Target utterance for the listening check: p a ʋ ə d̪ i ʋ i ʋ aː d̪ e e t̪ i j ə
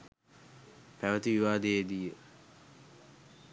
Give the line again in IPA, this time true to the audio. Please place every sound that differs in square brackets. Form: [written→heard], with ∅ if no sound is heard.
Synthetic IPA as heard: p [a→æ] ʋ ə [d̪→t̪] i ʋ i ʋ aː d̪ e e [t̪→d̪] i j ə